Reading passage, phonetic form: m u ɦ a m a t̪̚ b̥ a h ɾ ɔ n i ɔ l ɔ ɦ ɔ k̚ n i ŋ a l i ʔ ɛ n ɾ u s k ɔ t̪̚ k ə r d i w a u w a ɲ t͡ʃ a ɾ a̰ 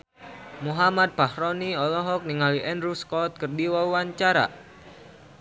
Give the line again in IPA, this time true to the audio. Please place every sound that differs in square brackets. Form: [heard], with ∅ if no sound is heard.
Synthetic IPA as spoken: m u ɦ a m a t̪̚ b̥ a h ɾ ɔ n i ɔ l ɔ ɦ ɔ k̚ n i ŋ a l i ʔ ɛ n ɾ u s k ɔ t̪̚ k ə r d i w a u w a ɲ t͡ʃ a ɾ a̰